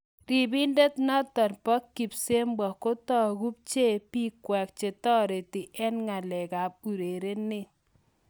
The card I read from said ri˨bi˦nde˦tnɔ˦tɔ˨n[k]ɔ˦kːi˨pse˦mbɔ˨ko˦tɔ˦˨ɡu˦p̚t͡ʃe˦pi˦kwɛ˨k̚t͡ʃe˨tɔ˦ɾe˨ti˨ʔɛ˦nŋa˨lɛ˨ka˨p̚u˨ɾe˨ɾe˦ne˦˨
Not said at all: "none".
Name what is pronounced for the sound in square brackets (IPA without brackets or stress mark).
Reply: p